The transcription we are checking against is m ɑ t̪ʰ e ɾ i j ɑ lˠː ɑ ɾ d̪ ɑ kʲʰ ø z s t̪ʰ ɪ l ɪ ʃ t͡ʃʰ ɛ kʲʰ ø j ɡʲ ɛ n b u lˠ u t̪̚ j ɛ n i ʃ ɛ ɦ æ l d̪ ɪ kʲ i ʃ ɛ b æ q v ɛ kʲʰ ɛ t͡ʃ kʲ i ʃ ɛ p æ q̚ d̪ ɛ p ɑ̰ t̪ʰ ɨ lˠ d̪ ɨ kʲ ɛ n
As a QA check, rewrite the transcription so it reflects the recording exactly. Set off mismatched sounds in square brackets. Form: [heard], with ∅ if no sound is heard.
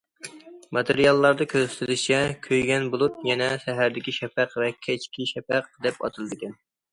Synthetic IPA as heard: m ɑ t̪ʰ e ɾ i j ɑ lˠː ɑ ɾ d̪ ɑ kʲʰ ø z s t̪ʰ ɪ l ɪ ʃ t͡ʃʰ ɛ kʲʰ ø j ɡʲ ɛ n b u lˠ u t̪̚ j ɛ n [ɛ] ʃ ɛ ɦ æ [ɾ] d̪ ɪ kʲ i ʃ ɛ [p] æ q v ɛ kʲʰ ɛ t͡ʃ kʲ i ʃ ɛ p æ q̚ d̪ ɛ p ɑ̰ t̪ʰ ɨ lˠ d̪ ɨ kʲ ɛ n